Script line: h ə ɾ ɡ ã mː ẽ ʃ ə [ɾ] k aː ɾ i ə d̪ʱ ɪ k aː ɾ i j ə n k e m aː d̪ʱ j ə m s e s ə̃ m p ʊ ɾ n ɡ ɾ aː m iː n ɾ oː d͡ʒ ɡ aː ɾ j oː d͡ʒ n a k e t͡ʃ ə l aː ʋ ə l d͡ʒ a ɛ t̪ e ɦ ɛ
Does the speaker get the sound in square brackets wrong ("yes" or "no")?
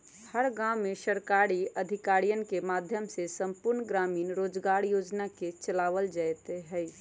no